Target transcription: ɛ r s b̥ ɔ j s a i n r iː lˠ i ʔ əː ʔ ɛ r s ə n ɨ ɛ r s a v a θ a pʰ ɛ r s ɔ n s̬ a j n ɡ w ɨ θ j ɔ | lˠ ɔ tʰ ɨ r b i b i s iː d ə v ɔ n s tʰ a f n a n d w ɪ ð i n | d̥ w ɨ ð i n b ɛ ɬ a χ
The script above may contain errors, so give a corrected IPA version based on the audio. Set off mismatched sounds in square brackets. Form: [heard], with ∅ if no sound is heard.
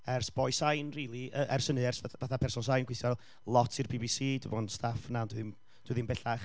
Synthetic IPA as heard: ɛ r s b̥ ɔ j s a [j] n r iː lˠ i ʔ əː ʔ ɛ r s ə n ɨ ɛ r s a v a θ a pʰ ɛ r s ɔ n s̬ a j n ɡ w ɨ θ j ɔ | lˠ ɔ tʰ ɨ r b i b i s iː d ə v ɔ n s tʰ a f n a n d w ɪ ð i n | d̥ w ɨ ð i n b ɛ ɬ a χ